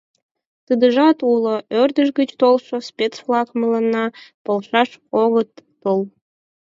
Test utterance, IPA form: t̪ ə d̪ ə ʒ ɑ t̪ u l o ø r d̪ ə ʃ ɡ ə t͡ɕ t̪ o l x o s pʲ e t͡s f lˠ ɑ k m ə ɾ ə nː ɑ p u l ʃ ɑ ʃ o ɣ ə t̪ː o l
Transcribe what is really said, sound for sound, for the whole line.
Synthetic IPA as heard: t̪ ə d̪ ə ʒ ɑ t̪ u l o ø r d̪ ə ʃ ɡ ə t͡ɕ t̪ o l ʃ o s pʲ e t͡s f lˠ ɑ k m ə l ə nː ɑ p o l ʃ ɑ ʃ o ɣ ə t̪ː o l